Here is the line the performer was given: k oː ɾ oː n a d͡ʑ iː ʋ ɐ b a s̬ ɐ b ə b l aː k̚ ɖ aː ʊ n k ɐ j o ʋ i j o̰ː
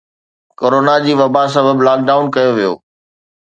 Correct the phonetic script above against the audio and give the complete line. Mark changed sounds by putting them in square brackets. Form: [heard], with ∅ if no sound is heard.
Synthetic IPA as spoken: k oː ɾ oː n a d͡ʑ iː ʋ ɐ b a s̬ ɐ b ə b l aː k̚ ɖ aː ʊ n k ɐ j o ʋ i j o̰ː